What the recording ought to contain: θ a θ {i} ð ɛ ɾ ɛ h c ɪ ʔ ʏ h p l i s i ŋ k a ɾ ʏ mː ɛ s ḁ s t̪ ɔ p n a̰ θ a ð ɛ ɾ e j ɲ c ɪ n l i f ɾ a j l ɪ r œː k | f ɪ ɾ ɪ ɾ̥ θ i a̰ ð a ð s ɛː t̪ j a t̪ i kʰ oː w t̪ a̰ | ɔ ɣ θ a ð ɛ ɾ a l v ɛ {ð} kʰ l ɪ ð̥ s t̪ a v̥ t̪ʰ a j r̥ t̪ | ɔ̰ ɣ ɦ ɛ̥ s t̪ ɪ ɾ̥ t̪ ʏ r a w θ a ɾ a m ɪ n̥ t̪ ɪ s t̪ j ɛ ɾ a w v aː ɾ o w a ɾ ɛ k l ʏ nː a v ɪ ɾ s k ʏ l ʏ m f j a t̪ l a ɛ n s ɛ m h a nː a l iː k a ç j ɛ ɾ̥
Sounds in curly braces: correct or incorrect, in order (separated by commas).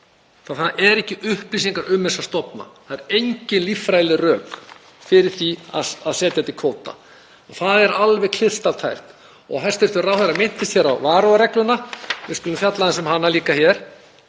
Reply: incorrect, incorrect